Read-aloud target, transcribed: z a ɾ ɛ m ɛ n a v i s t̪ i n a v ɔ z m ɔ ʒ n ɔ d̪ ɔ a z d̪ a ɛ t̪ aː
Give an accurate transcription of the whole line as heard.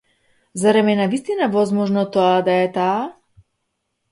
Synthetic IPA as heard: z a ɾ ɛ m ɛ n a v i s t̪ i n a v ɔ z m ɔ ʒ n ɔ t̪ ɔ a d̪ a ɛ t̪ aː